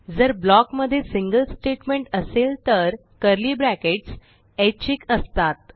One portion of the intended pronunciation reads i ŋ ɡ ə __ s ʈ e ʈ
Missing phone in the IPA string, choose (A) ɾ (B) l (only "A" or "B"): B